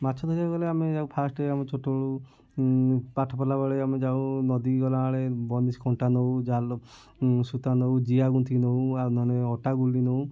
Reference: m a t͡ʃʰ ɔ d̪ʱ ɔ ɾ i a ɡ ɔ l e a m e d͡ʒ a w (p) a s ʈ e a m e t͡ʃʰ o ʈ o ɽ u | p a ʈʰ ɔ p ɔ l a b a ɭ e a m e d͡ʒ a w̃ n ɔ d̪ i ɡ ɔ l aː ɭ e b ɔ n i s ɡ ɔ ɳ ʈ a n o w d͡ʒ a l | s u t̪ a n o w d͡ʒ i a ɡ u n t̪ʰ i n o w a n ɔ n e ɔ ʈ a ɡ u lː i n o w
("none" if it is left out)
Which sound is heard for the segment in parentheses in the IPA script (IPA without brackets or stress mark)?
pʰ